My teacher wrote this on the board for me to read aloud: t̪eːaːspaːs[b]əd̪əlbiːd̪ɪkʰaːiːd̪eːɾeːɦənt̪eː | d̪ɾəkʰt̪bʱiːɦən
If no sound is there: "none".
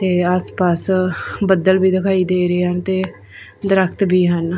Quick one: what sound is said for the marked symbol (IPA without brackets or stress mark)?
b